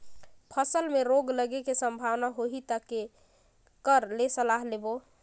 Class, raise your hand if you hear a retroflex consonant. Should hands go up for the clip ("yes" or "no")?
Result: no